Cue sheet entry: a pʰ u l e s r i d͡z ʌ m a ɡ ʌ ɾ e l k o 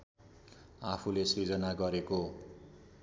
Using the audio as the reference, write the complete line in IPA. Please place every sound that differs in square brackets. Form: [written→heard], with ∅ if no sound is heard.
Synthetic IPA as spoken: a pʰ u l e s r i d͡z ʌ [m→n] a ɡ ʌ ɾ e [l→∅] k o